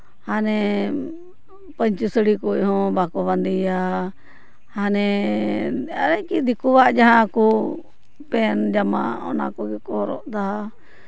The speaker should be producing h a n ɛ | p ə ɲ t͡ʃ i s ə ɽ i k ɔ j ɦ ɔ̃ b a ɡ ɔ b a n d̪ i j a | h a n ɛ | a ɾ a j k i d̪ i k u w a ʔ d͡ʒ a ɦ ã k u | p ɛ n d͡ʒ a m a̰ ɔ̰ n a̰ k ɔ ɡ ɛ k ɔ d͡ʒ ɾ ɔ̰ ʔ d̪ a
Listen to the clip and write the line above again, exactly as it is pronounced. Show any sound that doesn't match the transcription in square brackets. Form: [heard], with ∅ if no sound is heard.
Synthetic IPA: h a n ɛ | p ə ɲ t͡ʃ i s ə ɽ i k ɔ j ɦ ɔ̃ b a [k] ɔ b a n d̪ i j a | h a n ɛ | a ɾ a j k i d̪ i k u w a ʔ d͡ʒ a ɦ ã k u | p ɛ n d͡ʒ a m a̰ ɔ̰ n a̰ k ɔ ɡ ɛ k ɔ [∅] ɾ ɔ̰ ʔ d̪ a